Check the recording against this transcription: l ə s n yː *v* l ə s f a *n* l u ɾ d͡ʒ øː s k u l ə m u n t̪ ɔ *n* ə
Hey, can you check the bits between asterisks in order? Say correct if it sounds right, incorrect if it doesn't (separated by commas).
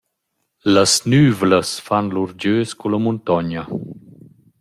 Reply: correct, correct, incorrect